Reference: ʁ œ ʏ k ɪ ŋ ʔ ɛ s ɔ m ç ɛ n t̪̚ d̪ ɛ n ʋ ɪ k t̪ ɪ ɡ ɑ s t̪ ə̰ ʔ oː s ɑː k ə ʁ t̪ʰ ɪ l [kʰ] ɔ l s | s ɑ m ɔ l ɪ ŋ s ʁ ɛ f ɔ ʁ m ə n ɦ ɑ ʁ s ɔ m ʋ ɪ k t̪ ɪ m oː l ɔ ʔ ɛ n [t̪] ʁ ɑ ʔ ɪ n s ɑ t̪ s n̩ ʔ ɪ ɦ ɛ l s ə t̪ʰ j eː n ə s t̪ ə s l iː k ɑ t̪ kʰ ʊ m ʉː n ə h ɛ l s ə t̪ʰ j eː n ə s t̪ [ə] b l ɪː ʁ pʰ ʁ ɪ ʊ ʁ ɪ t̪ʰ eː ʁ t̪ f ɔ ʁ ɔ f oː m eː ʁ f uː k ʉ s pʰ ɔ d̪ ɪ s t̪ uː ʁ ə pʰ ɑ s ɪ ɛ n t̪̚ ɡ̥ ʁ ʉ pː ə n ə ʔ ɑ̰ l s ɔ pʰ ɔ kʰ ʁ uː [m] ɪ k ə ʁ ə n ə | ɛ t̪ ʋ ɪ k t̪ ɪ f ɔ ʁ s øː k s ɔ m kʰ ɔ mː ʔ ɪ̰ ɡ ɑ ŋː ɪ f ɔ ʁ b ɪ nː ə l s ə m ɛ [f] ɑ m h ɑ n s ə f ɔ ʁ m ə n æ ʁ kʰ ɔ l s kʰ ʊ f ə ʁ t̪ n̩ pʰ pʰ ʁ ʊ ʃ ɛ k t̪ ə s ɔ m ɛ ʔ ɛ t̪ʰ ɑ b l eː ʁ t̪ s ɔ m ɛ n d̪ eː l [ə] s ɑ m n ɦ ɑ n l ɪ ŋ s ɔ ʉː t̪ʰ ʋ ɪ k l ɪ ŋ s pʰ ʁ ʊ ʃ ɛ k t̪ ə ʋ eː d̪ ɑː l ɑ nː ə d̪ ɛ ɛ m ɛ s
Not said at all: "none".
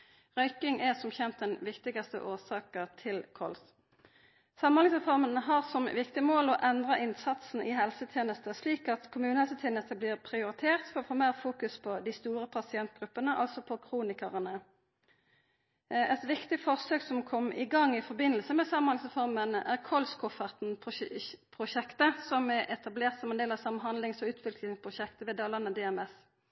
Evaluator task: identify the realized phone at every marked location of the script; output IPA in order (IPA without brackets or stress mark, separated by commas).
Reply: kʰ, d̪, ə, n, s, ɑ